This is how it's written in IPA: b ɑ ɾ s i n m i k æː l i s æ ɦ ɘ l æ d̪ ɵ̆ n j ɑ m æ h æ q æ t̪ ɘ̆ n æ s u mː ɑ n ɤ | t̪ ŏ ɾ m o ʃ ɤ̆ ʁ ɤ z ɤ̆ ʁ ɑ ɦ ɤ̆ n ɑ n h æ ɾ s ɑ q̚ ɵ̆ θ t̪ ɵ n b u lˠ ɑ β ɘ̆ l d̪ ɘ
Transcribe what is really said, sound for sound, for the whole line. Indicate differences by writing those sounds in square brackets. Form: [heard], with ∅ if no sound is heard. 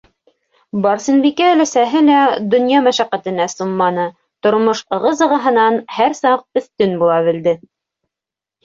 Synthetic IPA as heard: b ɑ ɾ s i n [b] i k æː l [æ] s æ ɦ ɘ l æ d̪ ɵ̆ n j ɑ m æ [ʃ] æ q æ t̪ ɘ̆ n æ s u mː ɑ n ɤ | t̪ ŏ ɾ m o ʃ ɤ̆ ʁ ɤ z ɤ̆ ʁ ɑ ɦ ɤ̆ n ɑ n h æ ɾ s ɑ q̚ ɵ̆ θ t̪ ɵ n b u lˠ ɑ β ɘ̆ l d̪ ɘ

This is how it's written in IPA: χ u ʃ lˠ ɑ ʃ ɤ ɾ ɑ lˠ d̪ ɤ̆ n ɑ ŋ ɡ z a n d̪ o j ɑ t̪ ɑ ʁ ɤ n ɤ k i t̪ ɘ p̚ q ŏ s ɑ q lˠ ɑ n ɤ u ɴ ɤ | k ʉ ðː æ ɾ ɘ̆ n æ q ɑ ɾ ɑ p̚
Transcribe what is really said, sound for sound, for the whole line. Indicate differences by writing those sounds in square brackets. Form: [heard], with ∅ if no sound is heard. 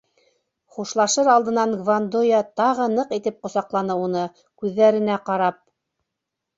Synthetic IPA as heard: χ u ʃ lˠ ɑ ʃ ɤ ɾ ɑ lˠ d̪ ɤ̆ n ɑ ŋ ɡ [v] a n d̪ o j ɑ t̪ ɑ ʁ ɤ n ɤ [q] i t̪ ɘ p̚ q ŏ s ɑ q lˠ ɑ n ɤ u [n] ɤ | k ʉ ðː æ ɾ ɘ̆ n æ q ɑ ɾ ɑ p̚

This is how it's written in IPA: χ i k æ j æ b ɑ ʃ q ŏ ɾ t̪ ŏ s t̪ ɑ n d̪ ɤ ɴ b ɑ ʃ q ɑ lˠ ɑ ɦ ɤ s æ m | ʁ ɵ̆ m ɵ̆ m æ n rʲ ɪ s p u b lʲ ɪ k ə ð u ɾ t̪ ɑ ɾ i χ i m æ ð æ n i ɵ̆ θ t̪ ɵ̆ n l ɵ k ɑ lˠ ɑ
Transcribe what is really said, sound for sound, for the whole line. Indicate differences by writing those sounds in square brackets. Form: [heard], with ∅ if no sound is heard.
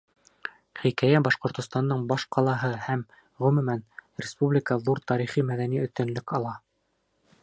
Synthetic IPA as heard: χ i k æ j æ b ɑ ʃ q ŏ ɾ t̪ ŏ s t̪ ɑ n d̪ ɤ ɴ b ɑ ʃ q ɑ lˠ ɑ ɦ ɤ [h] æ m | ʁ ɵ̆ m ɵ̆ m æ n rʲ ɪ s p u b lʲ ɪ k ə ð u ɾ t̪ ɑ ɾ i χ i m æ ð æ n i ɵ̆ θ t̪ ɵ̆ n l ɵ k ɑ lˠ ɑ

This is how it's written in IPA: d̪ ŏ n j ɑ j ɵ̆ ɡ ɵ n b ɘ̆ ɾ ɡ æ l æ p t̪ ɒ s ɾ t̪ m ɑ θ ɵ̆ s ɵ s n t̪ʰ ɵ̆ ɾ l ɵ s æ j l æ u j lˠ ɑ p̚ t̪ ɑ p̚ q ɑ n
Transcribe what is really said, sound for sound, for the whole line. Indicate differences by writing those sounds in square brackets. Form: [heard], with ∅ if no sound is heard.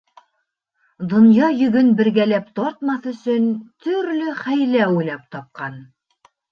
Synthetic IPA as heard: d̪ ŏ n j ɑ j ɵ̆ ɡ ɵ n b ɘ̆ ɾ ɡ æ l æ p t̪ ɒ [∅] ɾ t̪ m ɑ θ ɵ̆ s ɵ [∅] n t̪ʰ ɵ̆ ɾ l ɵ [χ] æ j l æ u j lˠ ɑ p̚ t̪ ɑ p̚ q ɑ n

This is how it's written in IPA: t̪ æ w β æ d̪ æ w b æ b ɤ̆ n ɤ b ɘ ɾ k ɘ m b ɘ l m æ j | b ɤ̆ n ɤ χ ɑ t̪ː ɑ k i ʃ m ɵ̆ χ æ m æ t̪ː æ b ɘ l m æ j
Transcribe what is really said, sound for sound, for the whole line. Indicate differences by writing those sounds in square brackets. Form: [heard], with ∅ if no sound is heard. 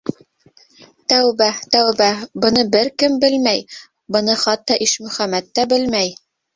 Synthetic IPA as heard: t̪ æ w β æ [t̪] æ w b æ b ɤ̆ n ɤ b ɘ ɾ k ɘ m b ɘ l m æ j | b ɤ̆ n ɤ χ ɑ t̪ː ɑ [ʔ] i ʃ m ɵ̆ χ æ m æ t̪ː æ b ɘ l m æ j

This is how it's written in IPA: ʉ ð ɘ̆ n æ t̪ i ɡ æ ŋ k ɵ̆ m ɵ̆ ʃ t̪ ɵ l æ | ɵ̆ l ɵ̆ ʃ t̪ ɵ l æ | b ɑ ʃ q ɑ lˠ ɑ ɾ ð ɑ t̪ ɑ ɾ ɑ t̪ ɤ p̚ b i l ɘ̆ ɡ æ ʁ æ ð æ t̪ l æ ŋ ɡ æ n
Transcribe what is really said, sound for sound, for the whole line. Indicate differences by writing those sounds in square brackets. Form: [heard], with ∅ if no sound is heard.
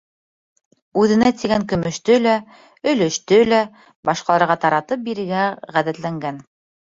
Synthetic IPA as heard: ʉ ð ɘ̆ n æ t̪ i ɡ æ ŋ k ɵ̆ m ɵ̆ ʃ t̪ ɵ l æ | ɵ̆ l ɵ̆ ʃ t̪ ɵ l æ | b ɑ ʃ q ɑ lˠ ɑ ɾ [ʁ] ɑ t̪ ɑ ɾ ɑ t̪ ɤ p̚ b i [ɾ] ɘ̆ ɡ æ ʁ æ ð æ t̪ l æ ŋ ɡ æ n

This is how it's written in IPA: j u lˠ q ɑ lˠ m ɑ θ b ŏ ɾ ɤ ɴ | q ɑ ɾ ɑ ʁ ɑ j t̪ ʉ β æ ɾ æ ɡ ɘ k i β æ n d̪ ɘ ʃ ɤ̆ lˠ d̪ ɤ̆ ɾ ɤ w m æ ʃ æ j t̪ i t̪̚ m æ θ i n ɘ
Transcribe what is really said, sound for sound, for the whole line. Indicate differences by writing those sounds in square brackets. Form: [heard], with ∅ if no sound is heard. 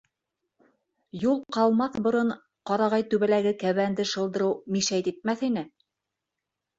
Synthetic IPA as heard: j u lˠ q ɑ lˠ m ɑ θ b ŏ ɾ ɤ ɴ | q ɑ ɾ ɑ ʁ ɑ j t̪ ʉ β æ [l] æ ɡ ɘ k [æ] β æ n d̪ ɘ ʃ ɤ̆ lˠ d̪ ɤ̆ ɾ ɤ w m [i] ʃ æ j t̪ i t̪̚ m æ θ i n ɘ

